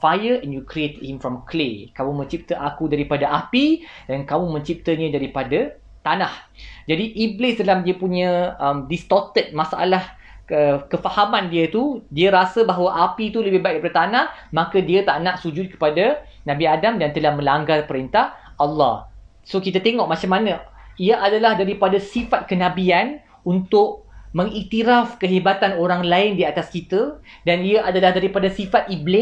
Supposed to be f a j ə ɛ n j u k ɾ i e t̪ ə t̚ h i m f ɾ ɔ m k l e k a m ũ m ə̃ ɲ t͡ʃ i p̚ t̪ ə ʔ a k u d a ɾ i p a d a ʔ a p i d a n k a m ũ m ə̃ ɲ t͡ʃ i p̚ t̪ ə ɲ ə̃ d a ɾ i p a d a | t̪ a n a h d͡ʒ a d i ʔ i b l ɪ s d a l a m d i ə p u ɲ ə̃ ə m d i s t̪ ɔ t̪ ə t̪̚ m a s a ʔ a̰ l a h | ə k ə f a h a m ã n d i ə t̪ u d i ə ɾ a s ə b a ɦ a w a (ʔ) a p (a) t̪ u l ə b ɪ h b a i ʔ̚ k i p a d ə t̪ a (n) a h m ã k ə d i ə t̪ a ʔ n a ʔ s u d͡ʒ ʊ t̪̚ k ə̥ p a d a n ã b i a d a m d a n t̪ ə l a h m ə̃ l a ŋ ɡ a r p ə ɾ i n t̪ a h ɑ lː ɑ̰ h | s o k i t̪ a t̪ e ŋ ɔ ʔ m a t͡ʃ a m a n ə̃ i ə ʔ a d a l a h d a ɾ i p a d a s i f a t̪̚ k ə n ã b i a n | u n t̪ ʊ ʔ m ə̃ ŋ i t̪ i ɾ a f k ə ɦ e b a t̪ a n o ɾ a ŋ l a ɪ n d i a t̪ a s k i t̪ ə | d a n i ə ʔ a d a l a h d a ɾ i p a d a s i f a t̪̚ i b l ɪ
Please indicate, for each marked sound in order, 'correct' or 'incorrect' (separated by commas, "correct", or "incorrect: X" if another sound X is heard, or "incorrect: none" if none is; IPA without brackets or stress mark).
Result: correct, incorrect: i, correct